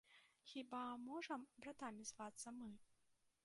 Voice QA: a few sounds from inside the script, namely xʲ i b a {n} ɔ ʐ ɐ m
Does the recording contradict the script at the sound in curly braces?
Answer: yes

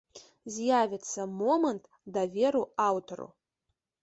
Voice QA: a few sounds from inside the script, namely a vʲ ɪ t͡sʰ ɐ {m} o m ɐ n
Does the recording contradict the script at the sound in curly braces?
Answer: no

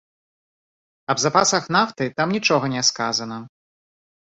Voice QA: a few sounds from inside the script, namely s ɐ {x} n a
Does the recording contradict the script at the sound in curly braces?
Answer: no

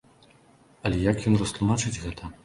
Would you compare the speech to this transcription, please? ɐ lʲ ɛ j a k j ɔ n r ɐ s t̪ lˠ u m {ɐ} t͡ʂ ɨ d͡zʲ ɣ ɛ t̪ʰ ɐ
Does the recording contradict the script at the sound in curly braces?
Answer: yes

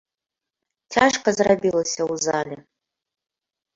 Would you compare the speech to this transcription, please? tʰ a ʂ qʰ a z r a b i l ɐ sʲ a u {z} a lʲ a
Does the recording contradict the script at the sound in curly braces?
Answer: no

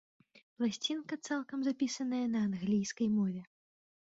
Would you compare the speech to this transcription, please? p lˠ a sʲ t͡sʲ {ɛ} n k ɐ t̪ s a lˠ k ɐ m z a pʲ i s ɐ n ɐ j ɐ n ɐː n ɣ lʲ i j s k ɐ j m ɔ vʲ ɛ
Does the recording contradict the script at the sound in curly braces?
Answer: yes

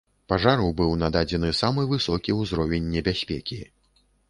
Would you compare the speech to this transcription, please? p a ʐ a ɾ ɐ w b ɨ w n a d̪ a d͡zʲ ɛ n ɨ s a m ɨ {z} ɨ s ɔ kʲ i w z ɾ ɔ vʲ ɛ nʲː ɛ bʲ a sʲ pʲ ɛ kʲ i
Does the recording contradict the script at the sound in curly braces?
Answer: yes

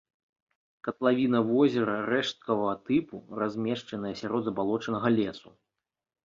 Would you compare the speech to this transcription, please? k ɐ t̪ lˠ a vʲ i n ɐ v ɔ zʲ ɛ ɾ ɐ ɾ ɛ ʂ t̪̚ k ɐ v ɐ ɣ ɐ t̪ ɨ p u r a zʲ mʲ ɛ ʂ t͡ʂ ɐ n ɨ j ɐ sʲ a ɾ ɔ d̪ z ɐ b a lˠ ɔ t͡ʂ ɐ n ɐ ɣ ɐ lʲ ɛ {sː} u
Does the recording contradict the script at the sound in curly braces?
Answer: yes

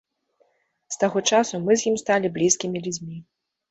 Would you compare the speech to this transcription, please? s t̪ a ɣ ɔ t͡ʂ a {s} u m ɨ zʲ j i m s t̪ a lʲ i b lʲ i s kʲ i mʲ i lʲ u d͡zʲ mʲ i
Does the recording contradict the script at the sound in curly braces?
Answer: no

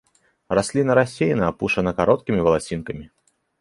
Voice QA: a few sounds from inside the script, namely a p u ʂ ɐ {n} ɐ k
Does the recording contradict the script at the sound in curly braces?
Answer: no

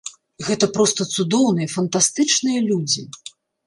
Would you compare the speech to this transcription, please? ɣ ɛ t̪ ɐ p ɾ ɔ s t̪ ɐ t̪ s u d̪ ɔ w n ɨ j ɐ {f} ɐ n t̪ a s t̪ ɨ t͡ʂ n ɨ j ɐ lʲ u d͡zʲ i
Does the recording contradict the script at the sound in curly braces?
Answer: no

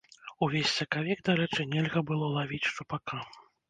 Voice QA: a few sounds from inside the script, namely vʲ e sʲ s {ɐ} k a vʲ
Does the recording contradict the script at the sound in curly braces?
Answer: no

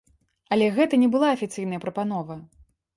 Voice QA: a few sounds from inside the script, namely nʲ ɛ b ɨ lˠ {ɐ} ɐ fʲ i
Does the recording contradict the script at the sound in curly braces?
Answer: yes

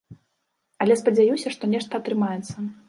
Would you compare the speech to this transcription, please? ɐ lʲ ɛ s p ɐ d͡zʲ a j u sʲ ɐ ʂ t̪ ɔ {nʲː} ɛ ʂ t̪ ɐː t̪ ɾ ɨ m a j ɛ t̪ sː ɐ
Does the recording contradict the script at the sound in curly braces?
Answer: yes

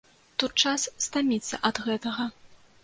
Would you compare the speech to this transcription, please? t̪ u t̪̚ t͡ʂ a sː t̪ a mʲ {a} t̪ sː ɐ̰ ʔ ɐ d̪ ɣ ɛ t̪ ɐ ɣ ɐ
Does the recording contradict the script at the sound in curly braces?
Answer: yes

